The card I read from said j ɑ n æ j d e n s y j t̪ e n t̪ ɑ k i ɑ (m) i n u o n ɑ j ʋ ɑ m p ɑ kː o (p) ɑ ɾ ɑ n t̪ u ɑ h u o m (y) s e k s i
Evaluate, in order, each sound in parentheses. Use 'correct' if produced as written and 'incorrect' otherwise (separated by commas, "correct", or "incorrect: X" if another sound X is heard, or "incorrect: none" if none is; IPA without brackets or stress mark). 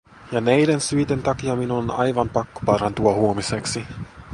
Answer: correct, correct, incorrect: i